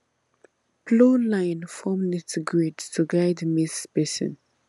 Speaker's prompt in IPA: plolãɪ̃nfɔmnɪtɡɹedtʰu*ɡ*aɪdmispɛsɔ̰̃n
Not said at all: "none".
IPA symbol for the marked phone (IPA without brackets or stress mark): ɡ